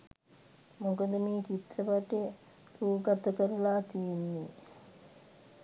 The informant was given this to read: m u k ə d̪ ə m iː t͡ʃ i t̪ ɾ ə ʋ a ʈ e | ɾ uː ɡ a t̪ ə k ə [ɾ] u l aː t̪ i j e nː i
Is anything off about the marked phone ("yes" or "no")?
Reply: no